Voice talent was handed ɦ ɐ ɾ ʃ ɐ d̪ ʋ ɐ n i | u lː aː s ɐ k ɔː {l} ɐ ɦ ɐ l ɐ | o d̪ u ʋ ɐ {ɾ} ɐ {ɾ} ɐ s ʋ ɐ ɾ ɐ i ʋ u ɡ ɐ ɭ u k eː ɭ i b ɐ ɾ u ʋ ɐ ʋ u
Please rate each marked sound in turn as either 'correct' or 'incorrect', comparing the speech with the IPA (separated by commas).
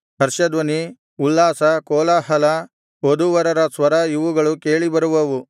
correct, correct, correct